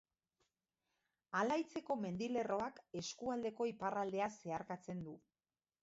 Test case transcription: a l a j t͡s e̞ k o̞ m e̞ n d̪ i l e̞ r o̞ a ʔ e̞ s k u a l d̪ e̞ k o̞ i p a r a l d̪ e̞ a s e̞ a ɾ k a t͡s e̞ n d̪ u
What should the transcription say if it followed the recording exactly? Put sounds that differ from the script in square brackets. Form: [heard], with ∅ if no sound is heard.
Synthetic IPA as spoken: a l a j t͡s e̞ k o̞ m e̞ n d̪ i l e̞ r o̞ a [k] e̞ s k u a l d̪ e̞ k o̞ i p a r a l d̪ e̞ a s e̞ a ɾ k a t͡s e̞ n d̪ u